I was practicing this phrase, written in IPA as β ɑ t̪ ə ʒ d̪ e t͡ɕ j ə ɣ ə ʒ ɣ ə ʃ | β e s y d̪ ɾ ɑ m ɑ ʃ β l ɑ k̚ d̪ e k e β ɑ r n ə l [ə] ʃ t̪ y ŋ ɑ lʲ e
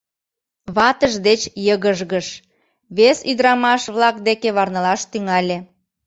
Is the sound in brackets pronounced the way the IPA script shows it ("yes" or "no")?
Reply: no